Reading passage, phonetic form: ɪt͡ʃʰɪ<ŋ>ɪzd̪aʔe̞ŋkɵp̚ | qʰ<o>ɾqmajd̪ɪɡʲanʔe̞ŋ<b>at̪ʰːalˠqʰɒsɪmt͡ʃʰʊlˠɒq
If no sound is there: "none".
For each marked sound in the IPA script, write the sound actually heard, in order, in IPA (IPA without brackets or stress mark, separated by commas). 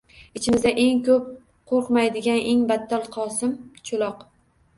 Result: m, o, b